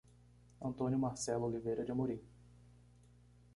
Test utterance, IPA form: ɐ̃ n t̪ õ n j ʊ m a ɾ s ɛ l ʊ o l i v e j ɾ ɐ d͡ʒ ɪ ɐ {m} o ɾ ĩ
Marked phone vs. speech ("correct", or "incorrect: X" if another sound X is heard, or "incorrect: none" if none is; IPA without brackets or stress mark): correct